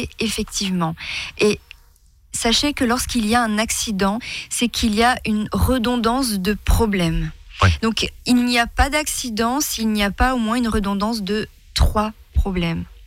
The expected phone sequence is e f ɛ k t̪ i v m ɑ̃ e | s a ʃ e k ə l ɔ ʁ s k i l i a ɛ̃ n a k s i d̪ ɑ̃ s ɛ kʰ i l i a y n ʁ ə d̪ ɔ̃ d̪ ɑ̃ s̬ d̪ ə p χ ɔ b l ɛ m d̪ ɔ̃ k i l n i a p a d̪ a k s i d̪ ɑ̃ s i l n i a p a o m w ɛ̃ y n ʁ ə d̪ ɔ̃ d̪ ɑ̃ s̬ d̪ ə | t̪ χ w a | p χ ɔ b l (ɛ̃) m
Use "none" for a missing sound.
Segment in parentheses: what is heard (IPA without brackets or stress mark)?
ɛ